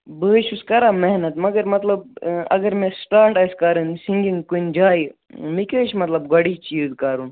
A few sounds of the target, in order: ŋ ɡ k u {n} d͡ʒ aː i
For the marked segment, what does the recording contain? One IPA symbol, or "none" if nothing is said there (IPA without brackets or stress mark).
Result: n